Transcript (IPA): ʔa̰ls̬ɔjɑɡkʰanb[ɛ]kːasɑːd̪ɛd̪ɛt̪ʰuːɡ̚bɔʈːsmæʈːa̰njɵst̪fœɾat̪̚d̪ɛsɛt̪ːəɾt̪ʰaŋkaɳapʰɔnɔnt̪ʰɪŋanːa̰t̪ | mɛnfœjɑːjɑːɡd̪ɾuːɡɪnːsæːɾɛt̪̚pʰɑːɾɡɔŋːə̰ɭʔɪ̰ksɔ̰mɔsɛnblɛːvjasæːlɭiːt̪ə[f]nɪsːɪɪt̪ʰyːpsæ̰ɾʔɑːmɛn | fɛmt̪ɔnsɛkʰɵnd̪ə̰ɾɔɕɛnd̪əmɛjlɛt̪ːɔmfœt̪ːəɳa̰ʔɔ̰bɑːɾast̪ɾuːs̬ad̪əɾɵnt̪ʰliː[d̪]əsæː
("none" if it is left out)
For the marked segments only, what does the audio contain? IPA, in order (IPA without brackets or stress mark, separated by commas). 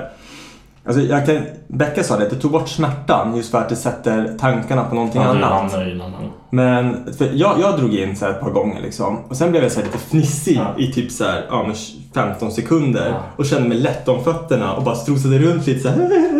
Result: ɛ, f, t̪